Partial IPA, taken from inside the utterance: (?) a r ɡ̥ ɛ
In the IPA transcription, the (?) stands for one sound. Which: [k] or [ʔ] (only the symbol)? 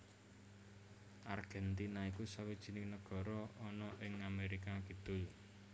ʔ